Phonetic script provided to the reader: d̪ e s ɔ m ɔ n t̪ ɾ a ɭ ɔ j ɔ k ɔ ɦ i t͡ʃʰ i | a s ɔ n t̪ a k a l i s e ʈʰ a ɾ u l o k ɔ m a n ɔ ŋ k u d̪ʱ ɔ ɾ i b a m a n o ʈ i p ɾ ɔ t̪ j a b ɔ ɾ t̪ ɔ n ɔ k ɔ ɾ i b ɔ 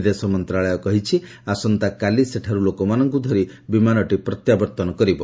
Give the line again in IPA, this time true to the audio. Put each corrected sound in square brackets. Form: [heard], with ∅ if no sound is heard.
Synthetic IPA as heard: d̪ e s ɔ m ɔ n t̪ ɾ a ɭ ɔ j ɔ k ɔ ɦ i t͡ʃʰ i | a s ɔ n t̪ a k a l i s e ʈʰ a ɾ u l o k ɔ m a n ɔ ŋ k u d̪ʱ ɔ ɾ i b [i] m a n [ɔ] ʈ i p ɾ ɔ t̪ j a b ɔ ɾ t̪ ɔ n ɔ k ɔ ɾ i b ɔ